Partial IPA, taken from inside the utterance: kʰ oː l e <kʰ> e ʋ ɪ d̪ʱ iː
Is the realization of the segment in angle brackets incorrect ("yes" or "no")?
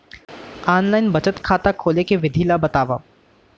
yes